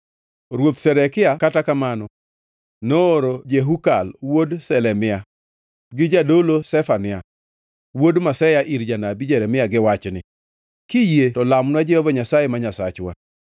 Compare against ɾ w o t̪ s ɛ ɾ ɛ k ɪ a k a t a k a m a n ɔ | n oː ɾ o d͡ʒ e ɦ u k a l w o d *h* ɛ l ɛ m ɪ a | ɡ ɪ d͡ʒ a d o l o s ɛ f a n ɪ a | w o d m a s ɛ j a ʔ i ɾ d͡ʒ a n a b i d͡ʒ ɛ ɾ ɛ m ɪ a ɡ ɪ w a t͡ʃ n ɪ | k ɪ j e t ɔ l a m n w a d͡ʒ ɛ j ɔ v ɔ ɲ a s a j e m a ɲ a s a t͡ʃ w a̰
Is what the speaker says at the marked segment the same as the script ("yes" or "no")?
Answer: no